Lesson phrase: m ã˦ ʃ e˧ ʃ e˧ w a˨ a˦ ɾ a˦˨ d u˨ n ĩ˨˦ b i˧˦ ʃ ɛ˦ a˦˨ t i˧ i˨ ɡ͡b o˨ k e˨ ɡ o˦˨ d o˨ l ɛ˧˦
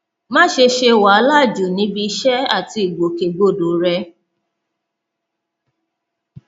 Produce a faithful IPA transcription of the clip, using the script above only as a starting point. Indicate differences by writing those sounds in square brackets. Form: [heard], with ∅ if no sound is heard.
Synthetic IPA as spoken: m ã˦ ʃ e˧ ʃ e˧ w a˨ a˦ [l] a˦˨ [d͡ʒ] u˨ n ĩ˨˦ b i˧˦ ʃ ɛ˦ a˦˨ t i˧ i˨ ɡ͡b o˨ k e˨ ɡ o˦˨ d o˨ [ɾ] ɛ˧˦